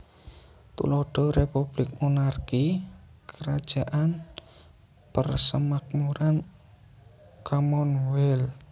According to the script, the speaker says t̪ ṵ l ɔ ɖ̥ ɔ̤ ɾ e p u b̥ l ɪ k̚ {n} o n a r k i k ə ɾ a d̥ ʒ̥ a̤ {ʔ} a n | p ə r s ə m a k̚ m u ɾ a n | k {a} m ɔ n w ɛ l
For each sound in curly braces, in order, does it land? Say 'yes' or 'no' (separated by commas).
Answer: no, yes, yes